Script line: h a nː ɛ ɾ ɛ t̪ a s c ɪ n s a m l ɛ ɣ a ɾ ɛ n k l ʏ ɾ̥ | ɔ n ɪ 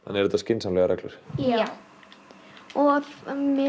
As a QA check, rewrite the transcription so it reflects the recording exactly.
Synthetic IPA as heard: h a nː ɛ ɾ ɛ t̪ a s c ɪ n s a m l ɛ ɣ a ɾ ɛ k l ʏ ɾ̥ | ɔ m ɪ